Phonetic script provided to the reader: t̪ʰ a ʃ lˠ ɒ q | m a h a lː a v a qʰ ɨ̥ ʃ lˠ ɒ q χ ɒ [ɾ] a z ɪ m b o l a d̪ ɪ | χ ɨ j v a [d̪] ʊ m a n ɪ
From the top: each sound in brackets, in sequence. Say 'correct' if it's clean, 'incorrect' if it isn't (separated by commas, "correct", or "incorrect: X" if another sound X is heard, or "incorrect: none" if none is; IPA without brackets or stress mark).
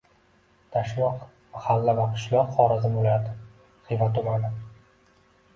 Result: correct, incorrect: t̪